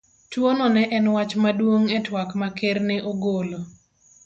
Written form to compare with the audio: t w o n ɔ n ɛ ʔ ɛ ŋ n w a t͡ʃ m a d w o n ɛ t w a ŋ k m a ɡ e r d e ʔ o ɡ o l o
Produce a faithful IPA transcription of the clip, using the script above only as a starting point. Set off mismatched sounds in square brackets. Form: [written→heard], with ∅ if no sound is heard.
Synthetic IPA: t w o n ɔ n ɛ ʔ ɛ [ŋ→∅] n w a t͡ʃ m a d w o [n→ŋ] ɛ t w a [ŋ→∅] k m a [ɡ→k] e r [d→n] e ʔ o ɡ o l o